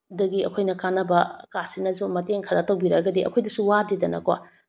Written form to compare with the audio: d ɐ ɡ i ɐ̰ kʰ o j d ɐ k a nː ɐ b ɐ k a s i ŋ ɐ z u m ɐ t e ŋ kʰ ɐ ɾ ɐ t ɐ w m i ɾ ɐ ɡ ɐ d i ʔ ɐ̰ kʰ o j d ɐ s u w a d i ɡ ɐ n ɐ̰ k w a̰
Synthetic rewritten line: d ɐ ɡ i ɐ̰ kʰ o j n ɐ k a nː ɐ b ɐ k a s i n ɐ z u m ɐ t e ŋ kʰ ɐ ɾ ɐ t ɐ w b i ɾ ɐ ɡ ɐ d i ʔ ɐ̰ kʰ o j d ɐ s u w a d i d ɐ n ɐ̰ k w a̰